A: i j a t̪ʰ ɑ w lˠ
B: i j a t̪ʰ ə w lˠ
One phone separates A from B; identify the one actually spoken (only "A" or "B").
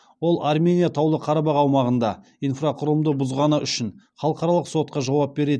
A